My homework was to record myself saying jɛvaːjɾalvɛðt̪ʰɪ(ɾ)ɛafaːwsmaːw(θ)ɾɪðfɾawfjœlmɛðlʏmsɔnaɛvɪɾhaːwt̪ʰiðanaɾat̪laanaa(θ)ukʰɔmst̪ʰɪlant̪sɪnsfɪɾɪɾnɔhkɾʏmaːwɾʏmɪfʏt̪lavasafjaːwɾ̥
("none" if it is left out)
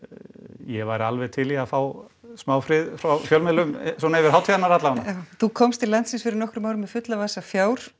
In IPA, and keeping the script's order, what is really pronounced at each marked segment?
l, f, θ

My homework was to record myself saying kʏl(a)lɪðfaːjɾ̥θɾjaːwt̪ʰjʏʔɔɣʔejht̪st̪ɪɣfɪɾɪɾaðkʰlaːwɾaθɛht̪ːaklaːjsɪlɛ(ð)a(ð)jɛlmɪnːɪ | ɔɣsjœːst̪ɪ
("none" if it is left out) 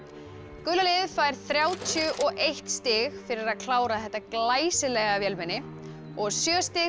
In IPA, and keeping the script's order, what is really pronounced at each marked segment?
a, ɣ, v

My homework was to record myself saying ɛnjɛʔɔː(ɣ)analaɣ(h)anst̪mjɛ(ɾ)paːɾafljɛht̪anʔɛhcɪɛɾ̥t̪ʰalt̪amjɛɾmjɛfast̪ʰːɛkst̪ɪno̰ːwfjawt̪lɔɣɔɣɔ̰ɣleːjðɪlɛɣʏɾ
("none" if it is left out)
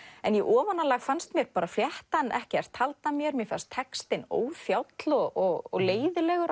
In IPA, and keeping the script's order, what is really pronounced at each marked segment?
v, f, ɾ

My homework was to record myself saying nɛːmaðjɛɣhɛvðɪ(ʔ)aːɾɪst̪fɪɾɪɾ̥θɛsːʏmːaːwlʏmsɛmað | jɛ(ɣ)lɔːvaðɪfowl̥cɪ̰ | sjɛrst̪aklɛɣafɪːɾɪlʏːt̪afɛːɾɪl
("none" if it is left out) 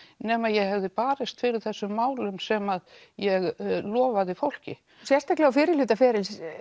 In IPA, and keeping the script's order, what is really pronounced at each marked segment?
p, ɣ

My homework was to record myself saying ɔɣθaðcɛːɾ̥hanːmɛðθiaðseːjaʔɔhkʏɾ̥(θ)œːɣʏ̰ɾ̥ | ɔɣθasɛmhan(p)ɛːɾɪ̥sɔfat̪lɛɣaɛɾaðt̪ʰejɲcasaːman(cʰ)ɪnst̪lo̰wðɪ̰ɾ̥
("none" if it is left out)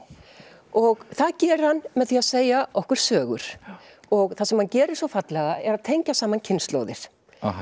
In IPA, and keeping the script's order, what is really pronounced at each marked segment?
s, c, cʰ

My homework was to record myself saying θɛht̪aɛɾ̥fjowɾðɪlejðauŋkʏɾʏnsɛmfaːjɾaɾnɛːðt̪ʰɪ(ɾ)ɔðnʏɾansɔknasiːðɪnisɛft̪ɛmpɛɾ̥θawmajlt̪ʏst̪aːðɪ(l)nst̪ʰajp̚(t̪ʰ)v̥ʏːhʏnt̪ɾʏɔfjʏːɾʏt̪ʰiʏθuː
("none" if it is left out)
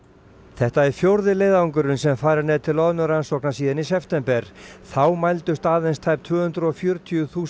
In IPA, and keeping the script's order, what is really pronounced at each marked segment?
l, none, t̪ʰ

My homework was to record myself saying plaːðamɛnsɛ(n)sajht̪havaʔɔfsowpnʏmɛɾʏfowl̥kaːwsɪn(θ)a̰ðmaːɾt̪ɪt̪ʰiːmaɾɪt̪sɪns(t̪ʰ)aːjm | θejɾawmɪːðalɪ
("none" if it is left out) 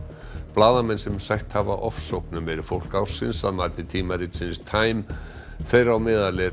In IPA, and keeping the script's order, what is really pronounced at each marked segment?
m, s, t̪ʰ

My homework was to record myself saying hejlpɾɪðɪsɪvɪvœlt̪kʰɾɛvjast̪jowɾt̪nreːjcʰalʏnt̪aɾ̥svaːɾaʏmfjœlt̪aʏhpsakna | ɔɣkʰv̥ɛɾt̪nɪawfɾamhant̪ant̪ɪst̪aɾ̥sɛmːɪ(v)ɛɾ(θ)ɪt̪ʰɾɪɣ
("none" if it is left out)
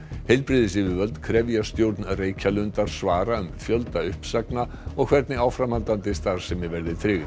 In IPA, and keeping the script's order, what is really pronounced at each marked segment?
v, ð

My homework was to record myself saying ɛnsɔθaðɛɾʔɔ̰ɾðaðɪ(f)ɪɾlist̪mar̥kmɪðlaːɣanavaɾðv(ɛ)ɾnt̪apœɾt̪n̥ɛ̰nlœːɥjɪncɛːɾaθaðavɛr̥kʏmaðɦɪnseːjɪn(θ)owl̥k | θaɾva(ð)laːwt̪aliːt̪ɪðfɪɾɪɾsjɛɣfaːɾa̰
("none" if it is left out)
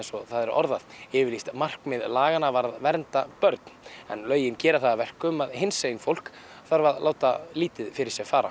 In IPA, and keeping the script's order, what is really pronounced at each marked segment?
v, ɛ, f, ð

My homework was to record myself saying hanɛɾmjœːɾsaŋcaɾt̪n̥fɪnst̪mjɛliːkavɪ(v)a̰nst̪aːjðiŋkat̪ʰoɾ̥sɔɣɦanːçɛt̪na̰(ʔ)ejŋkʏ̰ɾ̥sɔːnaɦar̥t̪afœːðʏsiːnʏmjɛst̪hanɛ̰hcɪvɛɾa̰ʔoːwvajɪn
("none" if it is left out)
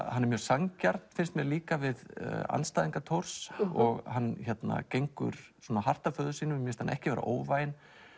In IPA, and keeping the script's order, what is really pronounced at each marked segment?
ð, c

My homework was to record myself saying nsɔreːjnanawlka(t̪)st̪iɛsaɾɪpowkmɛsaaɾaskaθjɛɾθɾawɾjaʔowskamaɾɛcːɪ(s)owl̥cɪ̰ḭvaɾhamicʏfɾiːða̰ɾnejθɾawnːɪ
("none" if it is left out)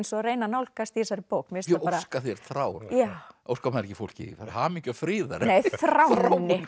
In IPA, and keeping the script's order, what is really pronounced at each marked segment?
none, f

